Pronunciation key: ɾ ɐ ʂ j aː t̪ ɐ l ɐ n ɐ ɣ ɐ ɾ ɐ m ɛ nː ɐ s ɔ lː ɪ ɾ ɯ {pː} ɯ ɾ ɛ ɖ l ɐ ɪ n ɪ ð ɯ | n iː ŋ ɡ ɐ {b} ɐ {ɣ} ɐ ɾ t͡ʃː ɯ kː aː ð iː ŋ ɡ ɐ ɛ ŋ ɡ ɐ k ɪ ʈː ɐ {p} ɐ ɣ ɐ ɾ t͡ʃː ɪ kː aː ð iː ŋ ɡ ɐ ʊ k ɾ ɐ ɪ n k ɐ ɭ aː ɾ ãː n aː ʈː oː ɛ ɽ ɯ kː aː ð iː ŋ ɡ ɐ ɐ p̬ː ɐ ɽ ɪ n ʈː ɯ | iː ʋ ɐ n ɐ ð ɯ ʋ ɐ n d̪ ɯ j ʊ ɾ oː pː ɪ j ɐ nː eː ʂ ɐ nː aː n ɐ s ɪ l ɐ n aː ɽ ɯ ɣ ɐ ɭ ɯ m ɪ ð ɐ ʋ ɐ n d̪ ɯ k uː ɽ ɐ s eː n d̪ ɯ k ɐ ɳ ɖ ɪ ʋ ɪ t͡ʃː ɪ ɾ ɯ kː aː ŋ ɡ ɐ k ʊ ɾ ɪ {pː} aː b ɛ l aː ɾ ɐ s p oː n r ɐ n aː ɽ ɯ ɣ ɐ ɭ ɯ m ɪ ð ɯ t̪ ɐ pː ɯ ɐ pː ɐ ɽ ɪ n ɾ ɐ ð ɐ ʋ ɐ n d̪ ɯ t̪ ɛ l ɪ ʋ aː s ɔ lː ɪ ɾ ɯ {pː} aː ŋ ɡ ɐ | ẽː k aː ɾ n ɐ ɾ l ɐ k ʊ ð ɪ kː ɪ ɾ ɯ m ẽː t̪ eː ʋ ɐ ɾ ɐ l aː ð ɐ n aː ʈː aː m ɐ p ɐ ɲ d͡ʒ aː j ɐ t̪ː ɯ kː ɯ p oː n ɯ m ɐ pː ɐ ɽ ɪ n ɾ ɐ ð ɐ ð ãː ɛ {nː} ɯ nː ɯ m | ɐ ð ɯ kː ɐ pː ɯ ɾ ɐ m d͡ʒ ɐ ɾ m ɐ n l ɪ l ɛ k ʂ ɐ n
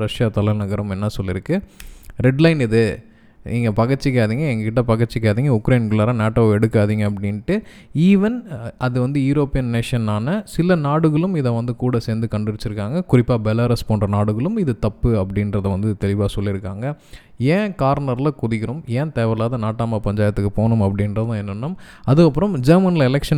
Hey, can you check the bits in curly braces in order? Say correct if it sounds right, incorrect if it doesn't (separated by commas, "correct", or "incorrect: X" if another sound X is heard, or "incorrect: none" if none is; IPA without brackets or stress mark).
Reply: incorrect: kː, incorrect: p, correct, correct, correct, incorrect: kː, correct